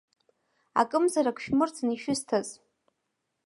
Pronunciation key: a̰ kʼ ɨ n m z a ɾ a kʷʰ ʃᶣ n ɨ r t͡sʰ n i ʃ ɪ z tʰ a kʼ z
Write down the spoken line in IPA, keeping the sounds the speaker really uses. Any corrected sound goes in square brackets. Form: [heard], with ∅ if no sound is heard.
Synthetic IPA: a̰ kʼ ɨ [∅] m z a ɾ a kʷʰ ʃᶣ [m] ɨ r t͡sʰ n i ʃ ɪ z tʰ a [∅] z